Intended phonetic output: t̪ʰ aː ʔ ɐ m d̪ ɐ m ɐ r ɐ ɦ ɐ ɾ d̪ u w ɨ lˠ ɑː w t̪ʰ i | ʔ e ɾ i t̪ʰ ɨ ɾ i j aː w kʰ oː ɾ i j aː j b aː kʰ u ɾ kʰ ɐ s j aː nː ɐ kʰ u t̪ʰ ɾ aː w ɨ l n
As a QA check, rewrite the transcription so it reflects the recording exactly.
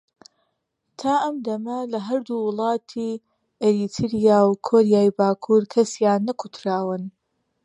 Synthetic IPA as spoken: t̪ʰ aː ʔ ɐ m d̪ ɐ m ɐ l ɐ ɦ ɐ ɾ d̪ u w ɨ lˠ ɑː t̪ʰ i | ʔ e ɾ i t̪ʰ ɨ ɾ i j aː w kʰ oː ɾ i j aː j b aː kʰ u ɾ kʰ ɐ s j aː nː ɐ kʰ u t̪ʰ ɾ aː w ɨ n